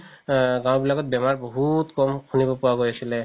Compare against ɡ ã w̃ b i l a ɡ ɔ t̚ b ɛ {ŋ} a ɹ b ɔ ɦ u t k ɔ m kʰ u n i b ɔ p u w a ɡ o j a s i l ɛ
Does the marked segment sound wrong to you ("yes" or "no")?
yes